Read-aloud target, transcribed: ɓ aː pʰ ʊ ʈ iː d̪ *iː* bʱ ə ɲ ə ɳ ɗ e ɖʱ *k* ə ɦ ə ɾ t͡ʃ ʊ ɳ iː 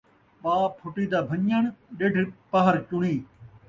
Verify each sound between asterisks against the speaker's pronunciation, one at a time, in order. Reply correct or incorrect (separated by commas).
incorrect, incorrect